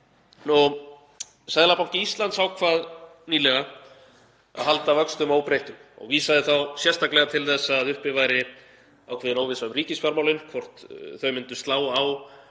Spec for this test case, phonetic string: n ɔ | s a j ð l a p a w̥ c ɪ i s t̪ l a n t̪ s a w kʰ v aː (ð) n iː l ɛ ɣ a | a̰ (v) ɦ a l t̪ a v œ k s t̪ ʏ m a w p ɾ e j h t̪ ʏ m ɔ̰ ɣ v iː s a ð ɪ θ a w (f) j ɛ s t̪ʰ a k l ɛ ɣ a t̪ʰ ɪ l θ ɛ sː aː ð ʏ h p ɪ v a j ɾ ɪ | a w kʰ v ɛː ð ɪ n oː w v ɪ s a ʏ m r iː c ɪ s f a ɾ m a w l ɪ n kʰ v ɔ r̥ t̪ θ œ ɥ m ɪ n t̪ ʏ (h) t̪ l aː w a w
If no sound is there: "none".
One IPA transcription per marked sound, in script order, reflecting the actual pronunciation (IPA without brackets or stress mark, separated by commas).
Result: ð, ð, s, s